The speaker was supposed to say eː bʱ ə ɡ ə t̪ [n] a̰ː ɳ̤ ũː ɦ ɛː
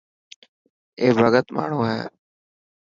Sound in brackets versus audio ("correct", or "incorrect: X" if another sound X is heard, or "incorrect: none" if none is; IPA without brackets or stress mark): incorrect: m